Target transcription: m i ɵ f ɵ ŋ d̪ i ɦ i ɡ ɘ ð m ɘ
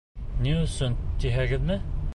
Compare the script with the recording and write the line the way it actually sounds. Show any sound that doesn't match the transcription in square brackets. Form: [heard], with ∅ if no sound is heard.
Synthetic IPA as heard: [n] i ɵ [s] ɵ [n] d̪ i ɦ [æ] ɡ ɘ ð m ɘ